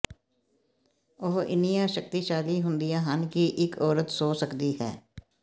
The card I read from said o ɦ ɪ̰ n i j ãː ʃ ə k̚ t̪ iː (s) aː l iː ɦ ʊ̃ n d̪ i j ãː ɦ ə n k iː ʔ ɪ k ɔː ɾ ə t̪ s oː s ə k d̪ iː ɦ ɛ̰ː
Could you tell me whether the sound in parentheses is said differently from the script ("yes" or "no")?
yes